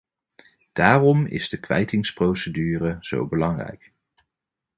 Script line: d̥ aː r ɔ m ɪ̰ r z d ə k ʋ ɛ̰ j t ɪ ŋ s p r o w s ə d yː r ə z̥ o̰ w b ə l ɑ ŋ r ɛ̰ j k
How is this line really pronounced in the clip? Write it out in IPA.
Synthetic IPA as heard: d̥ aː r ɔ m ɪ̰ z d ə k ʋ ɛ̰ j t ɪ ŋ s p r o w s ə d yː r ə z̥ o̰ w b ə l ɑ ŋ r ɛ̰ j k